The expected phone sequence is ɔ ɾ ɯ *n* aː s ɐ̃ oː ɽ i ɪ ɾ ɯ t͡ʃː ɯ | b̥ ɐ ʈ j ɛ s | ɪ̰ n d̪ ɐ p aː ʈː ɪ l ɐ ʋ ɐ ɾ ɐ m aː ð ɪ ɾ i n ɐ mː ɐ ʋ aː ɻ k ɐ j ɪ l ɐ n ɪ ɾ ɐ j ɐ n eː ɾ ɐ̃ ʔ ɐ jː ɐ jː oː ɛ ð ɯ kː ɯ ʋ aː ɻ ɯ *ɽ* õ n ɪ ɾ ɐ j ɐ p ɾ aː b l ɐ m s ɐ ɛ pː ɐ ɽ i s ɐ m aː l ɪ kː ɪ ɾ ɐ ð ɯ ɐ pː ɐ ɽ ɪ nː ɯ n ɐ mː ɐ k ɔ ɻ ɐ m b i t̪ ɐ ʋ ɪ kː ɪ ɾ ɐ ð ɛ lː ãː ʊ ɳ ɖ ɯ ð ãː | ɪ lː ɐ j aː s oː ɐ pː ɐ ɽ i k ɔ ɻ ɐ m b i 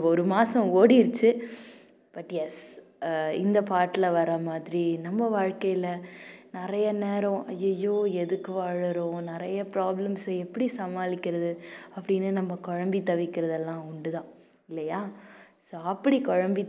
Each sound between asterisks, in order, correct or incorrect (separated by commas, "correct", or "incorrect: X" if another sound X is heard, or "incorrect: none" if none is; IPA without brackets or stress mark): incorrect: m, incorrect: ɾ